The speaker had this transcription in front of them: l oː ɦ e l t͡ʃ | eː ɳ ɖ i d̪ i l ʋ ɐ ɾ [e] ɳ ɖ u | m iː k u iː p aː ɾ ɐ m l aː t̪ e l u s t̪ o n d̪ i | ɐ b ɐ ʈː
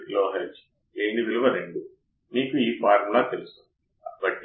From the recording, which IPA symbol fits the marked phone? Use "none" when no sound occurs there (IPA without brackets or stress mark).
e